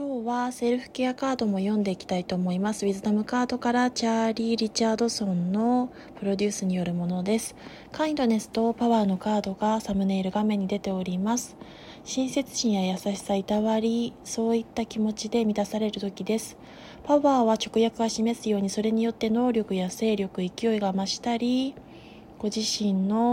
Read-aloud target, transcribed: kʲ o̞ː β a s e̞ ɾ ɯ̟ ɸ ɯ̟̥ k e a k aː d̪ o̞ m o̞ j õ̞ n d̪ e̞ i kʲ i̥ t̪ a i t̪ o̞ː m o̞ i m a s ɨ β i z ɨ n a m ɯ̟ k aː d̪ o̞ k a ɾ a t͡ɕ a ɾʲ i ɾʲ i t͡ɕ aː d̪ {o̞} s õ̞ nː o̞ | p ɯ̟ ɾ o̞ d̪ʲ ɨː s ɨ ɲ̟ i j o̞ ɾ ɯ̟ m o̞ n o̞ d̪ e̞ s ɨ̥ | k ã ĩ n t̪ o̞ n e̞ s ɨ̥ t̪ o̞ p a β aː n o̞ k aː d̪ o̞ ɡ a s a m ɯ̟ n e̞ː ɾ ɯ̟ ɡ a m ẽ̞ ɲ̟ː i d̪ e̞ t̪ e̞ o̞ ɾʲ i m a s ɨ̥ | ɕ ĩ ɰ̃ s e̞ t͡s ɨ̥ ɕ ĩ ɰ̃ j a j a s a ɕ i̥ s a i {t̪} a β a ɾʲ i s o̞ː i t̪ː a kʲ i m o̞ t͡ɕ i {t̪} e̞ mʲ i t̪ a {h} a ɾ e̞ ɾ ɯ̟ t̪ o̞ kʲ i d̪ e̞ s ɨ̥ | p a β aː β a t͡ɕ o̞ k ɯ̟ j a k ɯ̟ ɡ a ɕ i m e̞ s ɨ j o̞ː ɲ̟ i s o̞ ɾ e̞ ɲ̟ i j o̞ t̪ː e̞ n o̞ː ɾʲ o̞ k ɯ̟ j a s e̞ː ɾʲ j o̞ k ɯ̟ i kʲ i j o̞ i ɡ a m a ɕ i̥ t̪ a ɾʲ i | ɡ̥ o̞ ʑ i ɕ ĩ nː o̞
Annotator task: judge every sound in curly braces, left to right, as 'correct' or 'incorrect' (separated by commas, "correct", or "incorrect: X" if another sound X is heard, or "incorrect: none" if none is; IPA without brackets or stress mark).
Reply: correct, correct, incorrect: d̪, incorrect: s